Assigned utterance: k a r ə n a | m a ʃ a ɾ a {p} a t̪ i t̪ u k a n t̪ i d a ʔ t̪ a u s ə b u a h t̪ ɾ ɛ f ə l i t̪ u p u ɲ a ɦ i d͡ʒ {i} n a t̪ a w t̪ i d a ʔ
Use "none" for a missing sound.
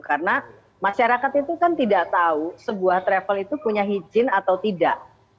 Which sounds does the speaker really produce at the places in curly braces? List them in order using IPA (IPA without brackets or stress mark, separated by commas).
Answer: k, ɪ